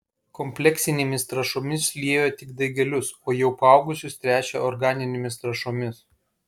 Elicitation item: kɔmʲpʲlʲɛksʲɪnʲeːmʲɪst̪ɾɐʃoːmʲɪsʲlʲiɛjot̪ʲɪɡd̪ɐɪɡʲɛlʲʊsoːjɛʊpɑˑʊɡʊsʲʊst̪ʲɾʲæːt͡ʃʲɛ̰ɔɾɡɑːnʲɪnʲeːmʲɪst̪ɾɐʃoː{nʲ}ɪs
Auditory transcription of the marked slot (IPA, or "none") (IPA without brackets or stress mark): mʲ